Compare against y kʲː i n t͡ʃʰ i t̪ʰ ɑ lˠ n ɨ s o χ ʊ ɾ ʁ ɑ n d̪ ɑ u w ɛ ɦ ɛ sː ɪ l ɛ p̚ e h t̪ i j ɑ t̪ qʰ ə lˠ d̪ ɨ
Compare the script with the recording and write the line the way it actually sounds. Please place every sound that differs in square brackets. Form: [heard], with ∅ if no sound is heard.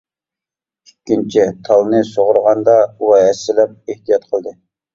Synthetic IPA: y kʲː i n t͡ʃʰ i t̪ʰ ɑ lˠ n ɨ s o [ʁ] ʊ ɾ ʁ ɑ n d̪ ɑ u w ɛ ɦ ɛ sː ɪ l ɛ p̚ e h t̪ i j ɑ t̪ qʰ ə lˠ d̪ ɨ